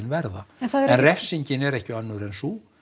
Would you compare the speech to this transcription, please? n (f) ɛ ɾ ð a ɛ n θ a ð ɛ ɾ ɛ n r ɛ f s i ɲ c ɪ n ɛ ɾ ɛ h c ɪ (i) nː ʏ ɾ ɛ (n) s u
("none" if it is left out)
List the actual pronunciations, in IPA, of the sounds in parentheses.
v, a, n

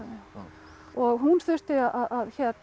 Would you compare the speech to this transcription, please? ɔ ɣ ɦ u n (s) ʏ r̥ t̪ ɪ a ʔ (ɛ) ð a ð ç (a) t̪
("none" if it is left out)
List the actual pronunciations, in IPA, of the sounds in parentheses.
θ, a, ɛ

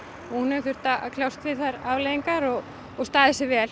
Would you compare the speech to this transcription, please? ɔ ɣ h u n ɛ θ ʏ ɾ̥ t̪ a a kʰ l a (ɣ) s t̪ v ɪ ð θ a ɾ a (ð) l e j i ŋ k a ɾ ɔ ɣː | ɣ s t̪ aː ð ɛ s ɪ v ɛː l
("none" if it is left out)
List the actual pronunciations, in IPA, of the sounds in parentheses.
w, v

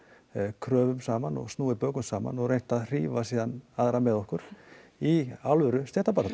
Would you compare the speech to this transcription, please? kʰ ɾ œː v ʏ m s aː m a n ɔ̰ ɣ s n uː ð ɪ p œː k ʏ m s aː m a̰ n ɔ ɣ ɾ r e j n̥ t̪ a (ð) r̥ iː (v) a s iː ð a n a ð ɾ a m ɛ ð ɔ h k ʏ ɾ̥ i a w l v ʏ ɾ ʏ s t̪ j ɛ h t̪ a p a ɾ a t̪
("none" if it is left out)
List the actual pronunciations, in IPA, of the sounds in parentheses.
ð, v

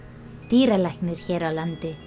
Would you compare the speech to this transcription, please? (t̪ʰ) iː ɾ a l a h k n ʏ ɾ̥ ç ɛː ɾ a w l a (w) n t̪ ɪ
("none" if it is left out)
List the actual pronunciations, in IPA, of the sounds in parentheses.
t̪, none

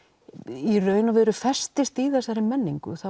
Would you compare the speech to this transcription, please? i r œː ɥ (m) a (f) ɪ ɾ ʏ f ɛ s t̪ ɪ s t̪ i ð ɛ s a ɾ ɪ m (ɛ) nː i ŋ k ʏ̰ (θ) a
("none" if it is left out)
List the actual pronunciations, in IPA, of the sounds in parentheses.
n, v, ɛ, θ

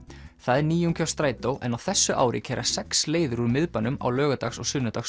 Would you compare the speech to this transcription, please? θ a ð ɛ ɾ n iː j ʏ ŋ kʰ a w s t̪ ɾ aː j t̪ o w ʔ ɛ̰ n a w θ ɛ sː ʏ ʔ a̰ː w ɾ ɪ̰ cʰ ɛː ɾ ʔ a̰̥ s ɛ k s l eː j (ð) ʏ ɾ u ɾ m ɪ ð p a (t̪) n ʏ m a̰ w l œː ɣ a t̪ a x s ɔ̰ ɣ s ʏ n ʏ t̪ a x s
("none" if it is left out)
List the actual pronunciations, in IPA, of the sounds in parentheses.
ð, none

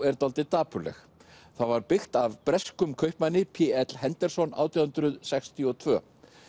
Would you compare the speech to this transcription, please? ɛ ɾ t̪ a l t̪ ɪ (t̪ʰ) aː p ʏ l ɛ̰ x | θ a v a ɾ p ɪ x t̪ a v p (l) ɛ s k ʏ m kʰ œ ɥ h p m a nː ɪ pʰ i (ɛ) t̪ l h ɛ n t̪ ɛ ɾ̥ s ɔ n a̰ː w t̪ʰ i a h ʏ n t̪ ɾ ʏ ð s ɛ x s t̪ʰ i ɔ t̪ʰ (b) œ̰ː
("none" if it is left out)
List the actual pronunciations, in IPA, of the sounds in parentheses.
t̪, ɾ, ɛ, v

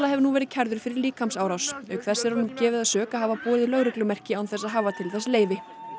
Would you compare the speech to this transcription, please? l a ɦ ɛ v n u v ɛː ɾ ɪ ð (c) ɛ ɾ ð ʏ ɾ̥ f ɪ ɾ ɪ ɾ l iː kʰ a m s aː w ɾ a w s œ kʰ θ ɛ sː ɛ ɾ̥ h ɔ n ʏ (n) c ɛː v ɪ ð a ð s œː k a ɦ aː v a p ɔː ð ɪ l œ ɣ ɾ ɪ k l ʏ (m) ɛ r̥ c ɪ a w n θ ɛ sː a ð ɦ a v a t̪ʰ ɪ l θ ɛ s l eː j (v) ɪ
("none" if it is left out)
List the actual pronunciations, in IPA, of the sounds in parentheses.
cʰ, m, m, v

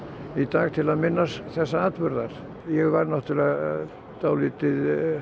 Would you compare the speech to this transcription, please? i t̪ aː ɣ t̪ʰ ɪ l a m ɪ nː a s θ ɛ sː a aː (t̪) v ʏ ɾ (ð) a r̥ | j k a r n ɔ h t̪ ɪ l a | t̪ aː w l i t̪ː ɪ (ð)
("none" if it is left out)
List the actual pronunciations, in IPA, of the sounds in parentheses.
t̪, ð, ð

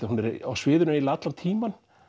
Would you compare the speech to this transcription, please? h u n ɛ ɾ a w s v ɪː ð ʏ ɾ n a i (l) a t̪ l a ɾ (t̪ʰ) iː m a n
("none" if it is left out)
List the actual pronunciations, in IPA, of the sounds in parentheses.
l, t̪ʰ

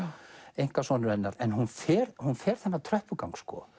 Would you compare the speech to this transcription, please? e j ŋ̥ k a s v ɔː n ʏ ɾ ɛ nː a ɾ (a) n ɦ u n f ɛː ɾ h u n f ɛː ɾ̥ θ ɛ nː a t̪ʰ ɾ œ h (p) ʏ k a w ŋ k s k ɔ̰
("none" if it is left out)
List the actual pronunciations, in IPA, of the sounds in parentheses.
ɛ, p

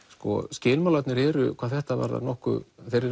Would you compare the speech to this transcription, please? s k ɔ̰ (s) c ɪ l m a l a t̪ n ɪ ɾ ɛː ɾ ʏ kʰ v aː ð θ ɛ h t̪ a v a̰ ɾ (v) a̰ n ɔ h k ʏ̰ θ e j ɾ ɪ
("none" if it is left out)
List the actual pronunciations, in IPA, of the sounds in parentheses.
s, ð

